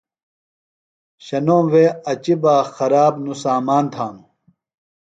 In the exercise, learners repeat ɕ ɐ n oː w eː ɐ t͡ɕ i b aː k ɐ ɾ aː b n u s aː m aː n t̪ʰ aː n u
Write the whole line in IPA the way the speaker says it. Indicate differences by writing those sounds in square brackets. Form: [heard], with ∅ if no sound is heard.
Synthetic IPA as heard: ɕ ɐ n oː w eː ɐ t͡ɕ i b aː [x] ɐ ɾ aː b n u s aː m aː n t̪ʰ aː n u